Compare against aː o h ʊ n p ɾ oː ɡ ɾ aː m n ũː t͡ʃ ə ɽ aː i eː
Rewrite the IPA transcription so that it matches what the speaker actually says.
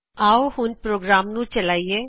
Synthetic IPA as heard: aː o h ʊ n p ɾ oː ɡ ɾ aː m n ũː t͡ʃ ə l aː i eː